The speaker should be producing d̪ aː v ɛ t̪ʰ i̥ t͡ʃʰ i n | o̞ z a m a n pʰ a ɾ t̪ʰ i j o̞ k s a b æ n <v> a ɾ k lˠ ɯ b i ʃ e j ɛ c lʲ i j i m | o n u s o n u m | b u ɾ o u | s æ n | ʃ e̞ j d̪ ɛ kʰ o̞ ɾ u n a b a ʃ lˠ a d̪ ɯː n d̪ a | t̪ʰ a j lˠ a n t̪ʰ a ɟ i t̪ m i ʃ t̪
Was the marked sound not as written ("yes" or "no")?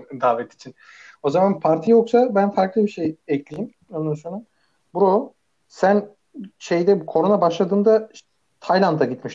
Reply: yes